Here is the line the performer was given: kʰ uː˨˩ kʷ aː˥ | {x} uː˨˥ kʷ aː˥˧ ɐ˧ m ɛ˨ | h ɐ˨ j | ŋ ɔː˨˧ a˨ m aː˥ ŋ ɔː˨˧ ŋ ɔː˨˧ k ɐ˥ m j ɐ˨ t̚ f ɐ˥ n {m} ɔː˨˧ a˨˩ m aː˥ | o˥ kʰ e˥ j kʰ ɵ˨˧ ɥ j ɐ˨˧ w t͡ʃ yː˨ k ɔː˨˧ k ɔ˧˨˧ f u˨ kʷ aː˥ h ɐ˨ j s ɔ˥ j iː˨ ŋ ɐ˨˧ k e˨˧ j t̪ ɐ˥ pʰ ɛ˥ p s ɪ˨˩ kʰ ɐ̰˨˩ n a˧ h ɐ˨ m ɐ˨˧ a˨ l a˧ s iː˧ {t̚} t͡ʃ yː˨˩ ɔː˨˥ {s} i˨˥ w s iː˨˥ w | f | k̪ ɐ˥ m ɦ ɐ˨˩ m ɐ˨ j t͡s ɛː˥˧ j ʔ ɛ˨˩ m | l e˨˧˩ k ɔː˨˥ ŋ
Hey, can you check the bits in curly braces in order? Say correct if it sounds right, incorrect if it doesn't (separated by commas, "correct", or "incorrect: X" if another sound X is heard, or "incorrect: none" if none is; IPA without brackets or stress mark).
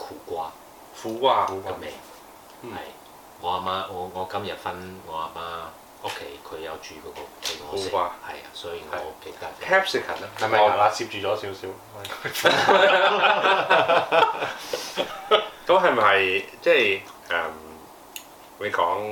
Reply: incorrect: f, incorrect: ŋ, incorrect: p̚, correct